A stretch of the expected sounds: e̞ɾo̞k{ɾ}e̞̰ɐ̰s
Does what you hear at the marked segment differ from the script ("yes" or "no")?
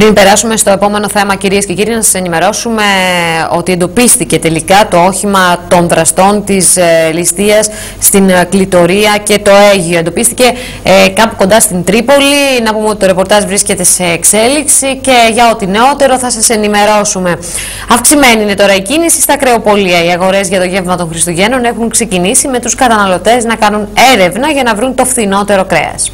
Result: no